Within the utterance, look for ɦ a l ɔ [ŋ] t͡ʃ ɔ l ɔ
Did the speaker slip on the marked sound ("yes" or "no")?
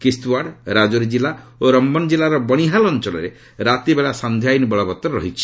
yes